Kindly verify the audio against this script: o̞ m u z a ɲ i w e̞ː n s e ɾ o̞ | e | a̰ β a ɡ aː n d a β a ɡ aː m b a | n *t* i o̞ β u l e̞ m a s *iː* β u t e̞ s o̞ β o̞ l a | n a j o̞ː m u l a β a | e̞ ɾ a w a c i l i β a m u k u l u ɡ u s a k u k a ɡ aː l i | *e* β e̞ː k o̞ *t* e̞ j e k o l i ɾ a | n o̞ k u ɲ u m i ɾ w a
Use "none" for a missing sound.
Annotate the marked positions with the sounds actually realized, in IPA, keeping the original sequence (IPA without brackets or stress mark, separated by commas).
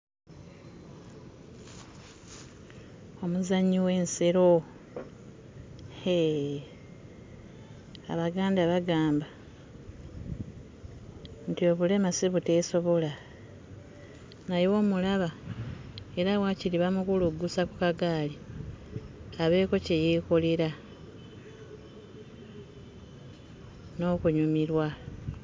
t, i, a, c